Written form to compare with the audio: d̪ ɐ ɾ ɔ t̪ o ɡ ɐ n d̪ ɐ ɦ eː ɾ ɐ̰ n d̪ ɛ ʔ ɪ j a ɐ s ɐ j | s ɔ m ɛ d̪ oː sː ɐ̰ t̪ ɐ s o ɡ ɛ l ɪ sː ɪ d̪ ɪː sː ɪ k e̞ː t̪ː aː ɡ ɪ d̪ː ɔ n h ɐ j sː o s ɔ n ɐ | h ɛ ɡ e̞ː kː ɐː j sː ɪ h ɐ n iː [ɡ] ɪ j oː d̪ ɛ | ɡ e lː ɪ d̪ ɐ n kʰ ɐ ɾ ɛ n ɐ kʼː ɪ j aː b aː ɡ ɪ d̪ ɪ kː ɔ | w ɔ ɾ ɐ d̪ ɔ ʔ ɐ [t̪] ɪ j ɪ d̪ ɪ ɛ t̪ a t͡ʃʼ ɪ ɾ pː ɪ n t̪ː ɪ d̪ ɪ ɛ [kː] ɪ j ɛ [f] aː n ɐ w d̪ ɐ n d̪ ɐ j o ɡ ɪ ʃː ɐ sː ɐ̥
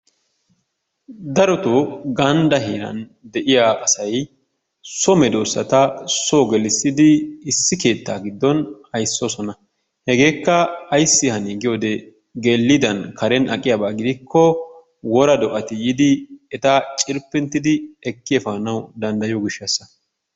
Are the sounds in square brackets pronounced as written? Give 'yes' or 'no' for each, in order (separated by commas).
yes, yes, yes, yes